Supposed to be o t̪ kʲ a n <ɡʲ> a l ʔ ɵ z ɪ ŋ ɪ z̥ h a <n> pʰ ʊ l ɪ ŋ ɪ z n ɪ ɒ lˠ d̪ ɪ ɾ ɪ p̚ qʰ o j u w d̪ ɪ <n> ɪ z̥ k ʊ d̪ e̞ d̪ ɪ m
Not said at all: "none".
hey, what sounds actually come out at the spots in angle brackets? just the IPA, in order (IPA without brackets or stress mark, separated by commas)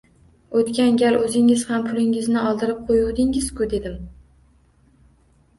ɡʲ, m, ŋ